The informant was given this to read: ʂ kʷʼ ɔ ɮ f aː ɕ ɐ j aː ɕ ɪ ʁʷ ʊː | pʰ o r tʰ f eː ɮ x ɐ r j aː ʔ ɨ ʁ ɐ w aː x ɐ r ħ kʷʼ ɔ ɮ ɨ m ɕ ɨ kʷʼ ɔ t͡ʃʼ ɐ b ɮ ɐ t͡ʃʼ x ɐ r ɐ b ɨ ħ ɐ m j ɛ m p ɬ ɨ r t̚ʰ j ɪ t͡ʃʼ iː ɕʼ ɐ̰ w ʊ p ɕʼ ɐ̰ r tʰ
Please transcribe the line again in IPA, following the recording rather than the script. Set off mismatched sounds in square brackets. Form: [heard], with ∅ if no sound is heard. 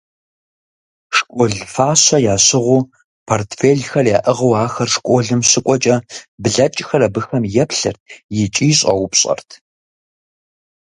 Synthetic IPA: ʂ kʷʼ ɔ ɮ f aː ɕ ɐ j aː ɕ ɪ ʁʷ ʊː | pʰ o r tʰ f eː ɮ x ɐ r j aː ʔ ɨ ʁ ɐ w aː x ɐ r [ʂ] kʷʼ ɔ ɮ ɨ m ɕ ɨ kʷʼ ɔ t͡ʃʼ ɐ b ɮ ɐ t͡ʃʼ x ɐ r ɐ b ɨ [x] ɐ m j ɛ [∅] p ɬ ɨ r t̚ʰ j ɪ t͡ʃʼ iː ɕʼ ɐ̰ w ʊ p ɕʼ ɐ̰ r tʰ